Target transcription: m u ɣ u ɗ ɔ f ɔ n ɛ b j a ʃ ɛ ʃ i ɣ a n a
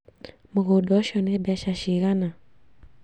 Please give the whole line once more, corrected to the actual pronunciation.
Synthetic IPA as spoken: m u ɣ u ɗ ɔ ʃ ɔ n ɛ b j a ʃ a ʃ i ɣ a n a